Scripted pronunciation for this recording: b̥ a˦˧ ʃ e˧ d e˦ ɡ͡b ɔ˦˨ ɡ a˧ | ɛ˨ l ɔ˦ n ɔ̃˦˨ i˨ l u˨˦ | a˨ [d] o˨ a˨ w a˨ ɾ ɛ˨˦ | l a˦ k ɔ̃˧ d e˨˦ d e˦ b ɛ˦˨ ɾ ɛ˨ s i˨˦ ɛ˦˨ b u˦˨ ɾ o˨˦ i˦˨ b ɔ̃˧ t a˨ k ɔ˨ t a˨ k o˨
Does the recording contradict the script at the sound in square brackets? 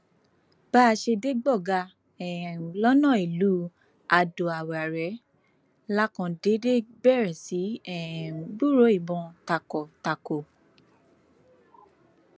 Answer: no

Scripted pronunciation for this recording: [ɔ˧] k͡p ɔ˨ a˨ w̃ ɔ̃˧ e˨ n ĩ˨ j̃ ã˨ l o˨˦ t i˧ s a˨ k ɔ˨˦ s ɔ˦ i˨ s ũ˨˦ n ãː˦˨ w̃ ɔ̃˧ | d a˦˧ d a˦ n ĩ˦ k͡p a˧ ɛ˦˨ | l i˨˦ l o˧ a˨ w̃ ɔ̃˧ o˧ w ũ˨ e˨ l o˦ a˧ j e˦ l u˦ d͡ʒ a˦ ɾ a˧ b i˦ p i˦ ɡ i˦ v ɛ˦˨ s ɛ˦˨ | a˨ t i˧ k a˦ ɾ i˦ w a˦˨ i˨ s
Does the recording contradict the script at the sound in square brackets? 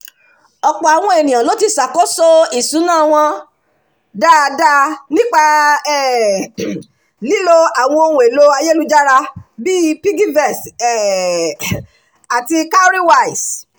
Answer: no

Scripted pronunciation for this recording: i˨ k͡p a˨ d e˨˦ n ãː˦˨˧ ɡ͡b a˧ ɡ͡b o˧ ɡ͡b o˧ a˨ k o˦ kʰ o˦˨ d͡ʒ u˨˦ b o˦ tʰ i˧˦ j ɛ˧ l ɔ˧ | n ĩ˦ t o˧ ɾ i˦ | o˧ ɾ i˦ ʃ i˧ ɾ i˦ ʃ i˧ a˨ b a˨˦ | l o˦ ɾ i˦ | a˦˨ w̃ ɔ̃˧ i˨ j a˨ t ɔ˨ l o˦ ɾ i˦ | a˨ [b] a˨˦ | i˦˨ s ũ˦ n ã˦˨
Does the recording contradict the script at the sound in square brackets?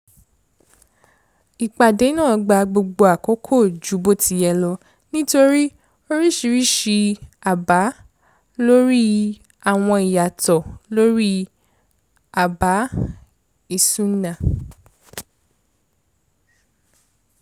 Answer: no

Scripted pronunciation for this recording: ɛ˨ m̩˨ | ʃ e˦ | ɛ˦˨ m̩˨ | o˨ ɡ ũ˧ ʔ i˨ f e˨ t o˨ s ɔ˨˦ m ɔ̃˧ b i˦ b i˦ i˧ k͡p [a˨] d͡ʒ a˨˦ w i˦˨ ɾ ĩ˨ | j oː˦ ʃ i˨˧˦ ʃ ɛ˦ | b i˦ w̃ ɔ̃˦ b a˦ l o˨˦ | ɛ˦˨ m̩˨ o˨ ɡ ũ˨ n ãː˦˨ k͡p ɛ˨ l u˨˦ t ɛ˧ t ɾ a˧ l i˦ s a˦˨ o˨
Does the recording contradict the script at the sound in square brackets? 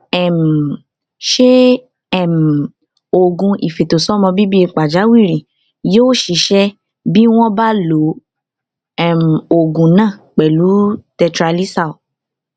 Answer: no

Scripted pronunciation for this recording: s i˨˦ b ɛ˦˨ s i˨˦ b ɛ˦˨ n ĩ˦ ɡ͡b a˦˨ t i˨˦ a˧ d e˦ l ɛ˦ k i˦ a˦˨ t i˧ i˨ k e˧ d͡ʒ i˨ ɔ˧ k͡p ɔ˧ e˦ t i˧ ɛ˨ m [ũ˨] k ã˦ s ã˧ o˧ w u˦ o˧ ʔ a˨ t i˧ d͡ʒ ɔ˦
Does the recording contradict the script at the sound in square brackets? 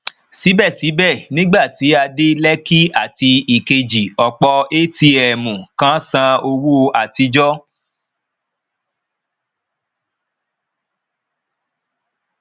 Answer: no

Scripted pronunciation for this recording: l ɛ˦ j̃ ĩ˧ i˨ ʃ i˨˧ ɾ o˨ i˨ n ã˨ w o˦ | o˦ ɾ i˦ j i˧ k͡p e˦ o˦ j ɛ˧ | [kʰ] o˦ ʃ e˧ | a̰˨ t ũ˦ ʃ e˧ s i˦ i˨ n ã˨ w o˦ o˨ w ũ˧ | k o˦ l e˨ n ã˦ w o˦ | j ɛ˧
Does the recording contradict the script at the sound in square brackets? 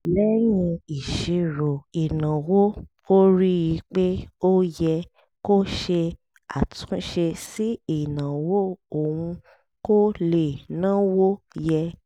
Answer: yes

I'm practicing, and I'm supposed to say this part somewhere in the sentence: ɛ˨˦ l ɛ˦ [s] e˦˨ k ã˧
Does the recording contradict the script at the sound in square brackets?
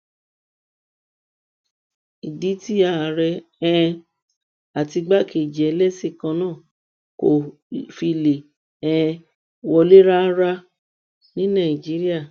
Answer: no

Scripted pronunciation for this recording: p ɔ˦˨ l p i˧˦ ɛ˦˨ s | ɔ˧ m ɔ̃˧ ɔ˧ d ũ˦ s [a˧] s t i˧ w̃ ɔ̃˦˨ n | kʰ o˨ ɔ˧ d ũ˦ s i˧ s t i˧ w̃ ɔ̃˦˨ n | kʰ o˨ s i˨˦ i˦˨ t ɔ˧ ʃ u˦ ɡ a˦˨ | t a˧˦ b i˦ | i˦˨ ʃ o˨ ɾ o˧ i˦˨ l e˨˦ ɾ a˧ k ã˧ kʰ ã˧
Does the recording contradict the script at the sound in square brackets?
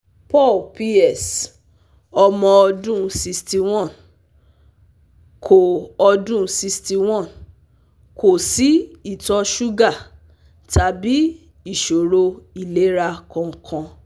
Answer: yes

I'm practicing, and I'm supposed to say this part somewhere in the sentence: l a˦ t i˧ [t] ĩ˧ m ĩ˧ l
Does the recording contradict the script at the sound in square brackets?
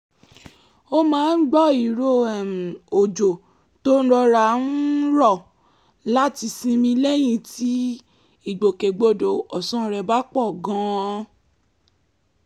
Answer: yes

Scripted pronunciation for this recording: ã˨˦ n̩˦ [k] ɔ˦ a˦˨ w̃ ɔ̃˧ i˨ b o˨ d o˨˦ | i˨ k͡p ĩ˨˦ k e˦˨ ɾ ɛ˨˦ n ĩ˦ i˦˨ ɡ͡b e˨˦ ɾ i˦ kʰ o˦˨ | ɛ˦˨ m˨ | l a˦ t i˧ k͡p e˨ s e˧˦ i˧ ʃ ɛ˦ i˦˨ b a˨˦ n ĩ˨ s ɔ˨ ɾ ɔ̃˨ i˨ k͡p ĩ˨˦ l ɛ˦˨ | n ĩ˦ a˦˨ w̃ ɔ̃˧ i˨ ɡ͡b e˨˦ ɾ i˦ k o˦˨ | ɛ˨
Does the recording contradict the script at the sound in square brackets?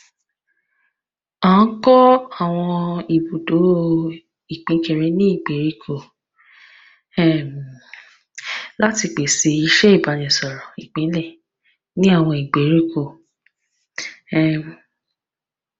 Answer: no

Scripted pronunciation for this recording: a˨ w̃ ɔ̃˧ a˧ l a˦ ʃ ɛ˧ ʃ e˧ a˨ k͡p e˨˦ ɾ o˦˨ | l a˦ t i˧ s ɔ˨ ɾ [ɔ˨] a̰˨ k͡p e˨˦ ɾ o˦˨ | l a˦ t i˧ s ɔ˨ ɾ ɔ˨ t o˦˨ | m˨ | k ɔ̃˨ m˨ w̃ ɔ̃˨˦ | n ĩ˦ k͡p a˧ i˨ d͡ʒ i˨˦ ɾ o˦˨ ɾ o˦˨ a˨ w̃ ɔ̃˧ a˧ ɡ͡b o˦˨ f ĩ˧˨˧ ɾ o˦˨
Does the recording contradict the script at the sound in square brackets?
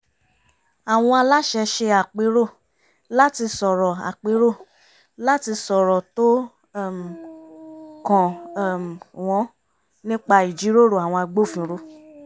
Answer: no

